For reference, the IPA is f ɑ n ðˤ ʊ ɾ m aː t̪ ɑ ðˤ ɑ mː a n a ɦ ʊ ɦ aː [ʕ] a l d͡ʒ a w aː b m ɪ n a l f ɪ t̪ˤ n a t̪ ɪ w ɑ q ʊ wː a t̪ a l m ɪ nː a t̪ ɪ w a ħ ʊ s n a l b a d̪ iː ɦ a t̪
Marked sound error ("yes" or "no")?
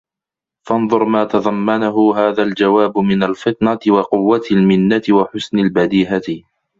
yes